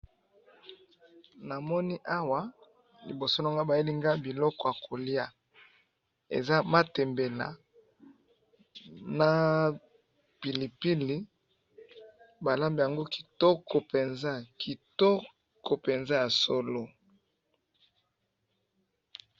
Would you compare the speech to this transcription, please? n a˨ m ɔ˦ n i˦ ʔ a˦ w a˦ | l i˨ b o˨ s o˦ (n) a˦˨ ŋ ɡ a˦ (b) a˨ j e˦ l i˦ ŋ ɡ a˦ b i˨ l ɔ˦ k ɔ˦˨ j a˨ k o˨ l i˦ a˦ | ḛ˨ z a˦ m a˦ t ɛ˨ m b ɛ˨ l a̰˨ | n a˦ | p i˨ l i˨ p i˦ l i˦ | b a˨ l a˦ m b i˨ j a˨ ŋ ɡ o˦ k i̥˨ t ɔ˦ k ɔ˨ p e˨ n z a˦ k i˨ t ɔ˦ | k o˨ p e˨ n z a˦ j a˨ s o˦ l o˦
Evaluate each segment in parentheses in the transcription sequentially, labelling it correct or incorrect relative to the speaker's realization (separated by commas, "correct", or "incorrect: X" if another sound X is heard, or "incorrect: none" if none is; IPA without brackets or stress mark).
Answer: correct, correct